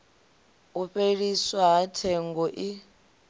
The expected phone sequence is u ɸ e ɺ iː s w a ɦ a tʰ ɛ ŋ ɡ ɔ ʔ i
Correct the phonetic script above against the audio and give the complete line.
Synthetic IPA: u ɸ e ɺ i s w a ɦ a tʰ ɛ ŋ ɡ ɔ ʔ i